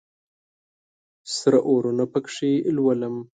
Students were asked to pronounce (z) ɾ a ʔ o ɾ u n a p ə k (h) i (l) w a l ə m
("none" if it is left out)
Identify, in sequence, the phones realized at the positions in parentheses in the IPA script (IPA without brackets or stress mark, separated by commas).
s, ʂ, l